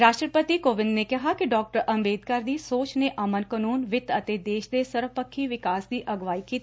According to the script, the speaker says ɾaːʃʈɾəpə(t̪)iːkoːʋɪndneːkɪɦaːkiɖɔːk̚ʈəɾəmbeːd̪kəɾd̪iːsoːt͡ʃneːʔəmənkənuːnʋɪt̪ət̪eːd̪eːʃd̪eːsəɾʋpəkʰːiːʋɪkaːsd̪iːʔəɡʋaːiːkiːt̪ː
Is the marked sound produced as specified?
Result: yes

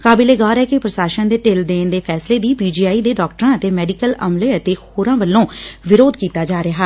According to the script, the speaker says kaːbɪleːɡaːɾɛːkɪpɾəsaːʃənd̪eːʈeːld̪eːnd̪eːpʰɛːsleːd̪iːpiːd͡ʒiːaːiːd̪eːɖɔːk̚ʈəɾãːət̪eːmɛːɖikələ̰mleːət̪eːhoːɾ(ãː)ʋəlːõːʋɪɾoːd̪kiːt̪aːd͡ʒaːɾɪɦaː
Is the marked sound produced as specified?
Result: yes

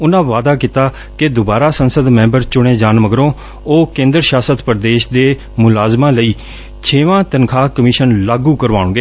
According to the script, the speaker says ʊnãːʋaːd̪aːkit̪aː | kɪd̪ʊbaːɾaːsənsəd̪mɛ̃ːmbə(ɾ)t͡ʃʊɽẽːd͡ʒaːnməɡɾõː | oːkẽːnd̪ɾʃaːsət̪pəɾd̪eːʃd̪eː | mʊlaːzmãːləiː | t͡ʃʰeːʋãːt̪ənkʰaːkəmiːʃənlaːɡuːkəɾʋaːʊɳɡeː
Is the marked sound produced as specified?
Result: yes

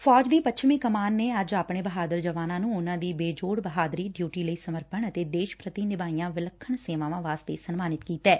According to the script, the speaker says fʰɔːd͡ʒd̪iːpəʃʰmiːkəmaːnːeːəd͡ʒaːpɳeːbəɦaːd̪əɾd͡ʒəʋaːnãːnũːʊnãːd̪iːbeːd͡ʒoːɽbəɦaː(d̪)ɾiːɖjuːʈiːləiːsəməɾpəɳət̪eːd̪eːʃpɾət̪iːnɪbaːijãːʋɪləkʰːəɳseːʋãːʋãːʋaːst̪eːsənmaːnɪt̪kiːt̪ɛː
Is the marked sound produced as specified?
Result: yes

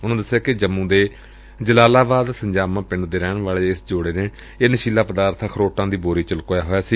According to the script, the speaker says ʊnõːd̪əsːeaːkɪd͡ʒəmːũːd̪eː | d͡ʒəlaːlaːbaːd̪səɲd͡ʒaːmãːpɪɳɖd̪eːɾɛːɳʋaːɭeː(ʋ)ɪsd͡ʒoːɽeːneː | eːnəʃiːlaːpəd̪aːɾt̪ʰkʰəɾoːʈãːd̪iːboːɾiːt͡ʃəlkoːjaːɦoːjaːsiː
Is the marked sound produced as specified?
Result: no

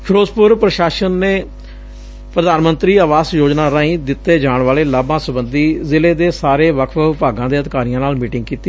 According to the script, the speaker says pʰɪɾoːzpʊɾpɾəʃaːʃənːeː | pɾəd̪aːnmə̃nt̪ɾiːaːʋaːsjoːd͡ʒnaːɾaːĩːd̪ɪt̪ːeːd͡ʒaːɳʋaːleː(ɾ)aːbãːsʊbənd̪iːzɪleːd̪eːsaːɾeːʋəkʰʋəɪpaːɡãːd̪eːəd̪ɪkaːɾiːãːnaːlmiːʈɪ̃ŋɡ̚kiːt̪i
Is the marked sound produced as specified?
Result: no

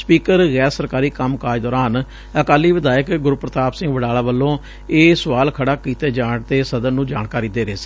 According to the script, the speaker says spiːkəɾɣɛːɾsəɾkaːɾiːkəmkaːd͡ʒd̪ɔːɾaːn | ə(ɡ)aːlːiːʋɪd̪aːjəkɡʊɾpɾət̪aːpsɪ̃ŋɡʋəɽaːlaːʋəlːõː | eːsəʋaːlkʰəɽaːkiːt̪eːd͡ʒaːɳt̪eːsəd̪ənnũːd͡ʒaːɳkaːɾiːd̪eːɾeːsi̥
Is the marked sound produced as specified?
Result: no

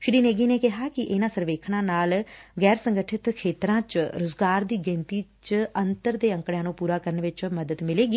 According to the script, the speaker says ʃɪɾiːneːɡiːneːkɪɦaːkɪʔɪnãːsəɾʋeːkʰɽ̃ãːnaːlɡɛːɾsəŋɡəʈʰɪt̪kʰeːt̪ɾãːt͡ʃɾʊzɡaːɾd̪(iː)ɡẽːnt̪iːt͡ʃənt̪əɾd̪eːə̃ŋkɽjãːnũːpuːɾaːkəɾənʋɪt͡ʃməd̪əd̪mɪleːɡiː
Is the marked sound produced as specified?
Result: yes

